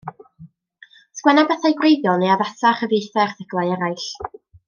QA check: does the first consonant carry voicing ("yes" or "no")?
no